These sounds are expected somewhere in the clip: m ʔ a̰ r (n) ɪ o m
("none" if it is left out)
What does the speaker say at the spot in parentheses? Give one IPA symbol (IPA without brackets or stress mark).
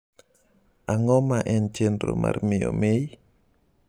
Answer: m